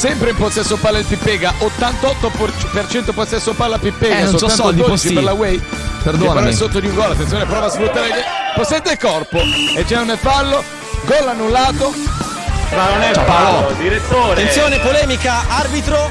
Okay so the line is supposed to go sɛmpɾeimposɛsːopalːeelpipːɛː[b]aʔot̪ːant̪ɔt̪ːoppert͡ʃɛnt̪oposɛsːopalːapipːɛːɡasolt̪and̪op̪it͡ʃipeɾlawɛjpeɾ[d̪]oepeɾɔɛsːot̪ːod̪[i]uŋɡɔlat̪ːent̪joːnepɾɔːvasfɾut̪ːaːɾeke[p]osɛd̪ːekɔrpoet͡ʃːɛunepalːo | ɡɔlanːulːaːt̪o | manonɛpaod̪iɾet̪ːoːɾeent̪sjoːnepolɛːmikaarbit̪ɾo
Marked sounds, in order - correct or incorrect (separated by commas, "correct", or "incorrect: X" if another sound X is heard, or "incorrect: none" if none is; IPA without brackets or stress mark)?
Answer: incorrect: ɡ, correct, correct, correct